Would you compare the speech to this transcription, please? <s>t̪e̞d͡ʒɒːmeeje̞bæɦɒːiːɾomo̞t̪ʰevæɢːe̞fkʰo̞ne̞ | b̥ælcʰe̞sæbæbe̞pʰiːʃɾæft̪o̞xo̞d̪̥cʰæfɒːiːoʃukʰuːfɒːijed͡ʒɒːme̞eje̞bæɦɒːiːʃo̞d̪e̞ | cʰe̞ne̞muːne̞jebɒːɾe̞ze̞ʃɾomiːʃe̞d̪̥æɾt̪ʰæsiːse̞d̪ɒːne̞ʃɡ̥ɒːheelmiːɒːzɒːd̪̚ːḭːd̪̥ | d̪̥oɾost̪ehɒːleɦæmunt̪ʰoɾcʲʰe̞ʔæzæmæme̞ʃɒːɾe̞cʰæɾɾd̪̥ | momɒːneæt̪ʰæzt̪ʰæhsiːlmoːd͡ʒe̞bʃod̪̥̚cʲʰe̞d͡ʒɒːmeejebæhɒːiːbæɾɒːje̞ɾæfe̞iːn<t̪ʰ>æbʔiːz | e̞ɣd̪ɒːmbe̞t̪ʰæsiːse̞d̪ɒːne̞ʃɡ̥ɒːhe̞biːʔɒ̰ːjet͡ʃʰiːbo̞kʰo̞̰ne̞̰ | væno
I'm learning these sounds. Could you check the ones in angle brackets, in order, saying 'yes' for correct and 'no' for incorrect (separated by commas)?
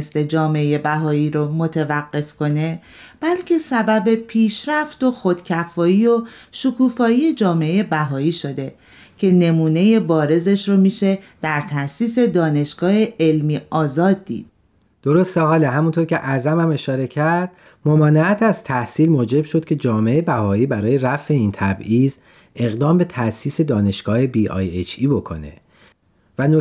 yes, yes